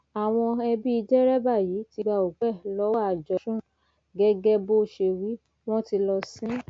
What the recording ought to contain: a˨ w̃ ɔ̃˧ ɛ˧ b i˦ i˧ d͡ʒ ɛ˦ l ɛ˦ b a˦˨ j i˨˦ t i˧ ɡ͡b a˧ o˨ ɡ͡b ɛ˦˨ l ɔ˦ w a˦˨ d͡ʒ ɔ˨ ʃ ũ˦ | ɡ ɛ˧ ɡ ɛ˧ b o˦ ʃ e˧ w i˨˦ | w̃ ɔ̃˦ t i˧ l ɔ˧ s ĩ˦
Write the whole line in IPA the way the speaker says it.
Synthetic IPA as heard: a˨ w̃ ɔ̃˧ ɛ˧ b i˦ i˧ d͡ʒ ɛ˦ ɾ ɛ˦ b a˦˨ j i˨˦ t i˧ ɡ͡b a˧ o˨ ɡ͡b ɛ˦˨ l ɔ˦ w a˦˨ d͡ʒ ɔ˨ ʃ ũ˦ | ɡ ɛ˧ ɡ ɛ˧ b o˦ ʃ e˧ w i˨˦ | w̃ ɔ̃˦ t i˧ l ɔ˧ s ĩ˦